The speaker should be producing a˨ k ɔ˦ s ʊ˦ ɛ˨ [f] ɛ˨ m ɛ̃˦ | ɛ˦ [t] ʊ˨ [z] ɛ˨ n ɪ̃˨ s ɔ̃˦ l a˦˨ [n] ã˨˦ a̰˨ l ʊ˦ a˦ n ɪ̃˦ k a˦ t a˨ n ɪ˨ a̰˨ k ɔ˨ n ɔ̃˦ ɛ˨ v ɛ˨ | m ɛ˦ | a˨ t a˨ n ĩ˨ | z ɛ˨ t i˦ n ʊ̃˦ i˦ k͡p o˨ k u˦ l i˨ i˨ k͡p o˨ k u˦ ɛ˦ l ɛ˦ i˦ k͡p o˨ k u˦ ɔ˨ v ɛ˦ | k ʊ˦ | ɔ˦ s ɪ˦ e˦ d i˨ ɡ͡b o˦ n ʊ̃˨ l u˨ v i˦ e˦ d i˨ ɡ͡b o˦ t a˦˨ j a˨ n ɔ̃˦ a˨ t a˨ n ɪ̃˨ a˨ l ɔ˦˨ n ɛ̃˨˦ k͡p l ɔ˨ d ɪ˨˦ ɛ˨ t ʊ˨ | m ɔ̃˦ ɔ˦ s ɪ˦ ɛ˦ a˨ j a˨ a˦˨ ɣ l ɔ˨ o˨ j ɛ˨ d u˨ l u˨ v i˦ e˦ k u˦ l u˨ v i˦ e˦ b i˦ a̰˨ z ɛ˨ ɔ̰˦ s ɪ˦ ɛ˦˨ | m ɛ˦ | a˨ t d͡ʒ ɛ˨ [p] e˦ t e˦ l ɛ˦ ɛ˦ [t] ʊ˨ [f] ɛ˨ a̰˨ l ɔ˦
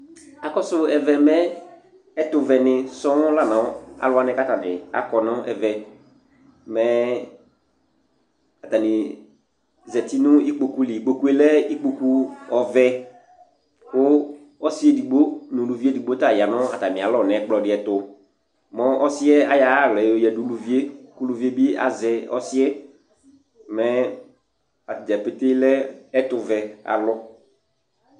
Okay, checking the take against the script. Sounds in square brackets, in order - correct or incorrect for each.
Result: incorrect: v, correct, incorrect: v, correct, correct, correct, incorrect: v

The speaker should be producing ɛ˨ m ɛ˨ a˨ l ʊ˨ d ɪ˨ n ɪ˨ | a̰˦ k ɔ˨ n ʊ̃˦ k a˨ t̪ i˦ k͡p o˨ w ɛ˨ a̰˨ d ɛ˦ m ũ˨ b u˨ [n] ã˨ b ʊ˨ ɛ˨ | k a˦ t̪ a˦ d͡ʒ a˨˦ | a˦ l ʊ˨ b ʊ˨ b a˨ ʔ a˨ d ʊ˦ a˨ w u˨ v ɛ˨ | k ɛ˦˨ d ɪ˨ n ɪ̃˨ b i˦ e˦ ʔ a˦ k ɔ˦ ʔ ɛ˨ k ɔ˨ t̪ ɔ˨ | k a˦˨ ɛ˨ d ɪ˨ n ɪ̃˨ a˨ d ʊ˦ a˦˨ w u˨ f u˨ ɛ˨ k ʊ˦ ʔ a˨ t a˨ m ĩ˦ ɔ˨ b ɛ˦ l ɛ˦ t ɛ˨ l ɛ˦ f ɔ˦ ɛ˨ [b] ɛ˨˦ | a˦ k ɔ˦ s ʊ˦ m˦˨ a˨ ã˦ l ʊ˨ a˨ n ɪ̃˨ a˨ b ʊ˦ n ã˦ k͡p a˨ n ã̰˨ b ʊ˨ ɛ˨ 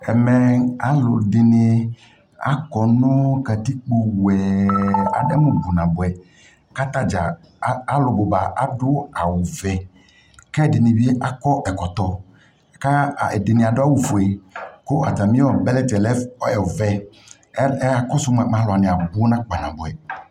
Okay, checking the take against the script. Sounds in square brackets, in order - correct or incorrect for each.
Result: correct, incorrect: v

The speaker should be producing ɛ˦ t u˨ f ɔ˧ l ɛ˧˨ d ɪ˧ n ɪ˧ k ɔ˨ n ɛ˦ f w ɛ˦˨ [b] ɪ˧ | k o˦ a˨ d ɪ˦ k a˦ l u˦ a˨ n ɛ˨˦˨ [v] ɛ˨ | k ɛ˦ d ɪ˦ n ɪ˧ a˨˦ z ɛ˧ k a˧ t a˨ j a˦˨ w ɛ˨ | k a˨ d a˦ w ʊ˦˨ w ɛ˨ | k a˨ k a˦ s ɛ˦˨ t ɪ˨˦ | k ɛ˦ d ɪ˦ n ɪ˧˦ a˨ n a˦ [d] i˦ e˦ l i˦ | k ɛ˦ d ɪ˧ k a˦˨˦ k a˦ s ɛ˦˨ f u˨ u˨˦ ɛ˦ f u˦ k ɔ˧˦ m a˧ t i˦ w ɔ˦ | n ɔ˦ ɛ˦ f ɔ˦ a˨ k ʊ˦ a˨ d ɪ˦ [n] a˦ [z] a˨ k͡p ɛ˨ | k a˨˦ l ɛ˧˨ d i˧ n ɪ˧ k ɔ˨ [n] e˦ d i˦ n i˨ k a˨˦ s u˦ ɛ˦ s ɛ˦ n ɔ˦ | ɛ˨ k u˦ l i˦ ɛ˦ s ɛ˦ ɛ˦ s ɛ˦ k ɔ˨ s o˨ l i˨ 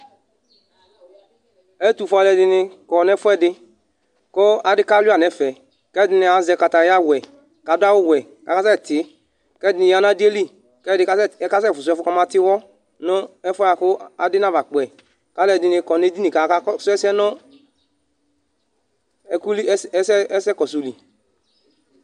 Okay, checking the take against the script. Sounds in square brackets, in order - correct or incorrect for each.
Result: incorrect: d, incorrect: f, correct, correct, incorrect: v, correct

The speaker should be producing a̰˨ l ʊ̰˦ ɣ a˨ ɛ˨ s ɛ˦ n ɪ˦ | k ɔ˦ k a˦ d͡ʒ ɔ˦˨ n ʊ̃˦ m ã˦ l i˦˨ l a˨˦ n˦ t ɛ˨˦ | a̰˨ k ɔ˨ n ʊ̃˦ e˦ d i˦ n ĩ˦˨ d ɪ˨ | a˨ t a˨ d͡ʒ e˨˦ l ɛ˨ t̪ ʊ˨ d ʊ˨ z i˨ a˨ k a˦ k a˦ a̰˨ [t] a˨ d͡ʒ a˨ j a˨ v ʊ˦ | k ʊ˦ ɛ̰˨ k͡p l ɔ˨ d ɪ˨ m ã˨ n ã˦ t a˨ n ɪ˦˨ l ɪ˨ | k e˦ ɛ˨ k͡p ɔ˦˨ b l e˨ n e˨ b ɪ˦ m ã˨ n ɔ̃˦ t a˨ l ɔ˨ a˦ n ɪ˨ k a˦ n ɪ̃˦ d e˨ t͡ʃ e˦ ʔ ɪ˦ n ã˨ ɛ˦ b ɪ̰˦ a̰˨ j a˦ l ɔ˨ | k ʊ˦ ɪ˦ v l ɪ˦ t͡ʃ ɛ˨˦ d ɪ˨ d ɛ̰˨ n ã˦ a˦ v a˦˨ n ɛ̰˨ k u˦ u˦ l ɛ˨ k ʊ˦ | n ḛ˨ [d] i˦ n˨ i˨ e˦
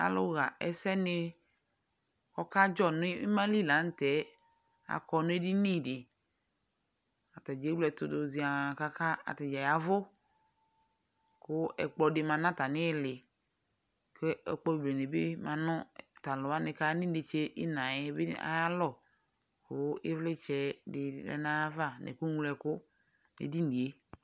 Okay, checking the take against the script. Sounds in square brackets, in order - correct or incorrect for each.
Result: correct, correct

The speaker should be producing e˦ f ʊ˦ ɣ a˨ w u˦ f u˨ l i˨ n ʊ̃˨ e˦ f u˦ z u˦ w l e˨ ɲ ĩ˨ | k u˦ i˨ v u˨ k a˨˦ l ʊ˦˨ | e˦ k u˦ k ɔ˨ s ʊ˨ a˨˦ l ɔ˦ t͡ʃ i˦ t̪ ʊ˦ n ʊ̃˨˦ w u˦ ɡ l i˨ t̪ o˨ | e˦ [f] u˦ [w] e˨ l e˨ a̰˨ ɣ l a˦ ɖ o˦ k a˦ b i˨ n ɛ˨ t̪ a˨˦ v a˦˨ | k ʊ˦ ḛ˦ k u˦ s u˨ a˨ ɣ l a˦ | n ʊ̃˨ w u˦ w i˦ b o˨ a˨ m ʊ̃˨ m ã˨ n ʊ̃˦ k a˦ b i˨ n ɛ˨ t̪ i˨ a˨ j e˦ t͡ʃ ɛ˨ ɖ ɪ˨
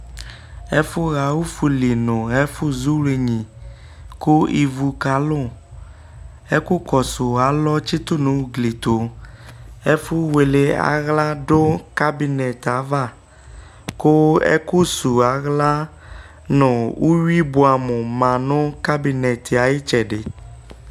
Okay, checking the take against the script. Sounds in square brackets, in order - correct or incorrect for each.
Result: correct, correct

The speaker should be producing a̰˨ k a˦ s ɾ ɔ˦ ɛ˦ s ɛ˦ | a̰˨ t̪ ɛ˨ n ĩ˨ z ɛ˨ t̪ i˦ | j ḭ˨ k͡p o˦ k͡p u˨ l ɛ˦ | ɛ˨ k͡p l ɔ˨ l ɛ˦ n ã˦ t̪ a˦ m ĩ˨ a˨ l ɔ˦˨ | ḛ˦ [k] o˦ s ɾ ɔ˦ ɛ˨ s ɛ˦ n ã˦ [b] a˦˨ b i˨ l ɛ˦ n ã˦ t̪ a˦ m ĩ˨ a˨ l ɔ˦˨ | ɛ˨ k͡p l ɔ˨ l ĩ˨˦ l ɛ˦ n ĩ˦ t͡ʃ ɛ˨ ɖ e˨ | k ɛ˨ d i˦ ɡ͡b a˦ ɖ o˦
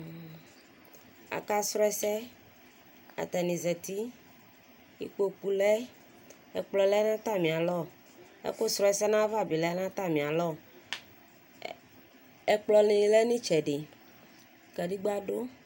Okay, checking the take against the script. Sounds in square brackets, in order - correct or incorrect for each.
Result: correct, incorrect: v

